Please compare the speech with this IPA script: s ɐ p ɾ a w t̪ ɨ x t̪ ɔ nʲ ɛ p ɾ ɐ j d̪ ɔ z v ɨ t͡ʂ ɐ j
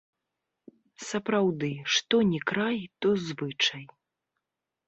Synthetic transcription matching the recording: s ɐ p ɾ a w d̪ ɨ ʂ t̪ ɔ nʲ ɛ k ɾ a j t̪ ɔ z v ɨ t͡ʂ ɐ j